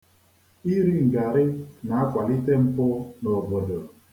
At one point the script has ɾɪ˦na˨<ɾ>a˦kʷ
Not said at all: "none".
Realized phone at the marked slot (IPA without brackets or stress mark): none